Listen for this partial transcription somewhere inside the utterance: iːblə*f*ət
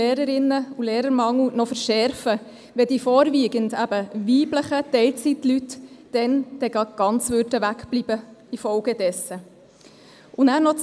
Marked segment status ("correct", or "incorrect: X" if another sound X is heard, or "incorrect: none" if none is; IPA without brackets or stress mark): incorrect: χ